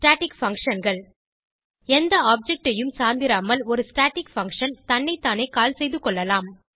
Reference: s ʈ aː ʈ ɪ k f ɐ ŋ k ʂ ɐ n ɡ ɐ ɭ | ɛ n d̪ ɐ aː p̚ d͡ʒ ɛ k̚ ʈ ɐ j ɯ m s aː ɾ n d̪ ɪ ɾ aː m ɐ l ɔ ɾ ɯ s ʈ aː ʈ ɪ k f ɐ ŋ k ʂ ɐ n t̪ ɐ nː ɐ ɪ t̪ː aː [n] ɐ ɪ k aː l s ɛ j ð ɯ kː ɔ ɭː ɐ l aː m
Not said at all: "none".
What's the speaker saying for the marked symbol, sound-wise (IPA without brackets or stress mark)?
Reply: n